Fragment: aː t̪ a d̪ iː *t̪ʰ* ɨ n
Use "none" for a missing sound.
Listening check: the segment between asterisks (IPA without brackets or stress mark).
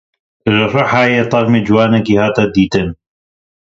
t̪